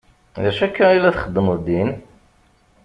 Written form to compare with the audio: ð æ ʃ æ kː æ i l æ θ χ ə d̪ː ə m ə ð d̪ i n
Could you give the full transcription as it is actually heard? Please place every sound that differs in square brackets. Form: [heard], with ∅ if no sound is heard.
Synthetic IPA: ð æ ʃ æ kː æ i l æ θ χ ə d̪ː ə m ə ð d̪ i n